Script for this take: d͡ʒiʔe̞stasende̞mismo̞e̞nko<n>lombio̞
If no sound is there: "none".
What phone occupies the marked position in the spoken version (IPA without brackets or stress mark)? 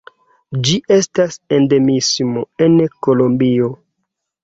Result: none